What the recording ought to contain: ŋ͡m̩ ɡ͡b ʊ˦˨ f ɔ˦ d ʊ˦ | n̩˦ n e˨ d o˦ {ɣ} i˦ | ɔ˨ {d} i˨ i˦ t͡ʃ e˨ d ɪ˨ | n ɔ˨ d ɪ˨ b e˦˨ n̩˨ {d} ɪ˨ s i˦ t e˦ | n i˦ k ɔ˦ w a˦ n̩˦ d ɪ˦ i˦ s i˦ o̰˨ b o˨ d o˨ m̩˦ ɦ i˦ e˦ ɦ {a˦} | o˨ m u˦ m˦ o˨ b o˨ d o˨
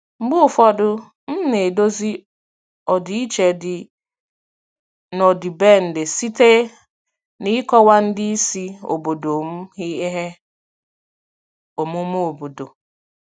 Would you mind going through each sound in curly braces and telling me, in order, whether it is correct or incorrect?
incorrect: z, correct, correct, incorrect: e˦

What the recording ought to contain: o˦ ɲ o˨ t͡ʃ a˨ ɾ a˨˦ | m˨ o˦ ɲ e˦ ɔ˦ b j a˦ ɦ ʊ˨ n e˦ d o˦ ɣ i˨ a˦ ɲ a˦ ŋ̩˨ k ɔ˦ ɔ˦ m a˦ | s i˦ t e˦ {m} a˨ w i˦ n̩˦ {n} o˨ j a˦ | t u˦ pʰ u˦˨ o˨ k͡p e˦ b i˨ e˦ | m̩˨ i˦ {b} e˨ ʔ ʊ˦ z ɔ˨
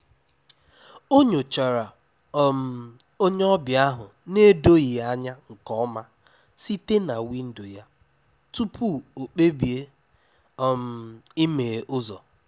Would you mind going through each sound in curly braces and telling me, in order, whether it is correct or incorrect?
incorrect: n, incorrect: d, incorrect: m

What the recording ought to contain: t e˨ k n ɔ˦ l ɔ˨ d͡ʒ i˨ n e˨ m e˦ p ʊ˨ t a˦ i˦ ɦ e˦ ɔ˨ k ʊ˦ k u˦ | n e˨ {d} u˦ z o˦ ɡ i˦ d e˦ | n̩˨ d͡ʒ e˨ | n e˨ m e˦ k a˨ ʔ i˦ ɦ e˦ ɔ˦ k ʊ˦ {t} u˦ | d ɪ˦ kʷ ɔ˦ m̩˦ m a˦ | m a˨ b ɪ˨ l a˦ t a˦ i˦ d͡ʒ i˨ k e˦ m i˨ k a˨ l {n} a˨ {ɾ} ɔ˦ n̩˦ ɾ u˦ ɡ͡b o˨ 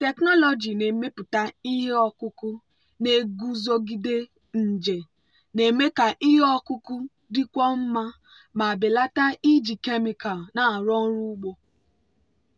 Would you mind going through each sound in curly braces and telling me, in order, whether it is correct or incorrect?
incorrect: ɡ, incorrect: k, correct, correct

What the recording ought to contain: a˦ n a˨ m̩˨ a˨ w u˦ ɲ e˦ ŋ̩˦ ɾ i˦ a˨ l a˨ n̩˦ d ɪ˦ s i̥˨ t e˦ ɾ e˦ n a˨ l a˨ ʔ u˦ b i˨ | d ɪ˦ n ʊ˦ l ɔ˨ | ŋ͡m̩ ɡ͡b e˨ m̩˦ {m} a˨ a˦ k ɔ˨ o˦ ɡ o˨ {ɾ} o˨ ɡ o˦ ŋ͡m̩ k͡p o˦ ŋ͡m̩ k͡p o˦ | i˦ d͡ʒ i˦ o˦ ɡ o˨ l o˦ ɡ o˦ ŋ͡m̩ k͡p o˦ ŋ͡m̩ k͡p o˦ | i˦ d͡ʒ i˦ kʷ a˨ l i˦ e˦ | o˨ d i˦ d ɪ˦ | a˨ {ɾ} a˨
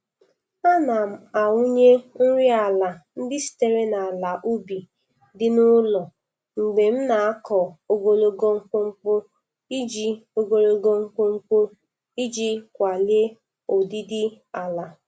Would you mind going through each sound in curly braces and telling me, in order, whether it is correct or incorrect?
incorrect: n, incorrect: l, incorrect: l

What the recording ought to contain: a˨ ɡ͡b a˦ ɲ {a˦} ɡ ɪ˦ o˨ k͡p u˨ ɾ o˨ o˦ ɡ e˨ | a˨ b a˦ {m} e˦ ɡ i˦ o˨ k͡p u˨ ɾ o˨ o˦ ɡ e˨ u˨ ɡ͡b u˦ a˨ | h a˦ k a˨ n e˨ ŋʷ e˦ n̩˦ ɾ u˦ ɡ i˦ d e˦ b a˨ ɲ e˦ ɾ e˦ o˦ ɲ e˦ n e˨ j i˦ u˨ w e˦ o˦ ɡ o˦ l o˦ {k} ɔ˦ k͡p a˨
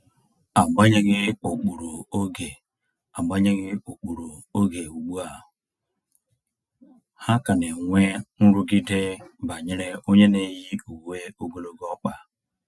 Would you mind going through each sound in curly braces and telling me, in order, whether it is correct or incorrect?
incorrect: e˦, incorrect: ɲ, incorrect: ɡ

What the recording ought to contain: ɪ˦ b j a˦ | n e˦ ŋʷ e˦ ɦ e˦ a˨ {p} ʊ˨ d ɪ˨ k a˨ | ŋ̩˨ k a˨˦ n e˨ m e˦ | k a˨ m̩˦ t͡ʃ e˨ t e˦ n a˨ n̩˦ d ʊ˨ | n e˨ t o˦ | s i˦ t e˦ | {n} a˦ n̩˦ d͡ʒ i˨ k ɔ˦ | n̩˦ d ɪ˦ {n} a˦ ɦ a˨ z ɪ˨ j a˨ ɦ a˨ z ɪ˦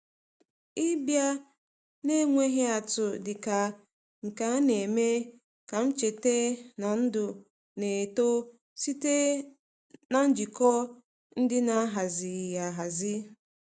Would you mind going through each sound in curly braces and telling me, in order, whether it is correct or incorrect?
incorrect: t, correct, correct

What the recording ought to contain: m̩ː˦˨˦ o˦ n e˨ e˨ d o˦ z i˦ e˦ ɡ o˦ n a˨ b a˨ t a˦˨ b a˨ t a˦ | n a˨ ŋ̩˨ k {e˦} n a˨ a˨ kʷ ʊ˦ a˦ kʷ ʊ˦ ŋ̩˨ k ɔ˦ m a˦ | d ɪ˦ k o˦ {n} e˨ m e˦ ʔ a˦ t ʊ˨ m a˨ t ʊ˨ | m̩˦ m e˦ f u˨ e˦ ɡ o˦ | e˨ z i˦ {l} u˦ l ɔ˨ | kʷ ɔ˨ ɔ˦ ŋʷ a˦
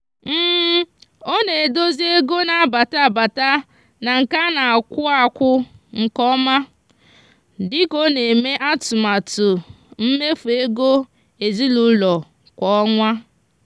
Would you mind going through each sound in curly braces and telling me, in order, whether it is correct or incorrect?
incorrect: a˦, correct, correct

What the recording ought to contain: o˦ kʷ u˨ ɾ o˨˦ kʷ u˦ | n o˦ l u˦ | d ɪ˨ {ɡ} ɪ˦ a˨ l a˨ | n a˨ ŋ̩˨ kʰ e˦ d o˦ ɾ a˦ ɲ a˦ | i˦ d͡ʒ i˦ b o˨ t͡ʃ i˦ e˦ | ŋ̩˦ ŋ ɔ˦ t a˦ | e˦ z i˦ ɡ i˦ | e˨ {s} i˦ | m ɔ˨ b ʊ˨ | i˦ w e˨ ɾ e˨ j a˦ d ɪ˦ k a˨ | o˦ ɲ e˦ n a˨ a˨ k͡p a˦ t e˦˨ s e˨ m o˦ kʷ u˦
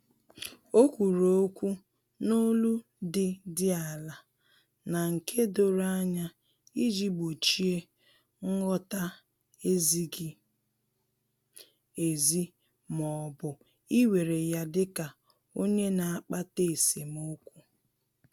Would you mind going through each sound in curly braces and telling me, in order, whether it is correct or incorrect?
incorrect: d, incorrect: z

